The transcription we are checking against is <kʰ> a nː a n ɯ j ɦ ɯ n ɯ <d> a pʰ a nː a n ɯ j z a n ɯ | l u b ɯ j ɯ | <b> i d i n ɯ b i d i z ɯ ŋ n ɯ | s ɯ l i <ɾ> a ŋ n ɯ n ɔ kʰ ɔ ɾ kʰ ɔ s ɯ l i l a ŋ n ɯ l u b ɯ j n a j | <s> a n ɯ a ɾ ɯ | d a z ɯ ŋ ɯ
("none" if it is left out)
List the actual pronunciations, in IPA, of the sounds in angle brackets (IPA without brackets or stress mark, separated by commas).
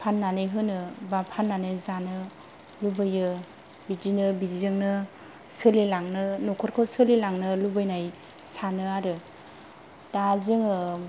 pʰ, b, b, l, s